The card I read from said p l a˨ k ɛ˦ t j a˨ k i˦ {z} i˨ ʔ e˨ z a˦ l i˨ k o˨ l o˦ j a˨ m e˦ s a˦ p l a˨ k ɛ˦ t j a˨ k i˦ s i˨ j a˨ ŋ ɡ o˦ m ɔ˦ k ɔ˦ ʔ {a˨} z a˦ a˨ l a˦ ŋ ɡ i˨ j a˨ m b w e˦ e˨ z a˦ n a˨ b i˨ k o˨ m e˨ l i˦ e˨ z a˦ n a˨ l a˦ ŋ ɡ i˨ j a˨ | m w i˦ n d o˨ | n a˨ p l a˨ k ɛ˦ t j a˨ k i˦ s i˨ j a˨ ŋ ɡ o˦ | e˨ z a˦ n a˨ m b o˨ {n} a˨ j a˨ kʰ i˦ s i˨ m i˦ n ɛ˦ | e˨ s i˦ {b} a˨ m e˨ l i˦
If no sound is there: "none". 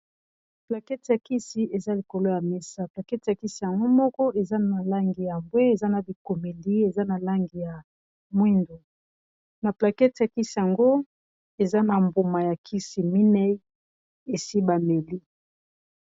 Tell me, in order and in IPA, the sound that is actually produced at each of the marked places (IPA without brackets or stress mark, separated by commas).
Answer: s, e˨, m, b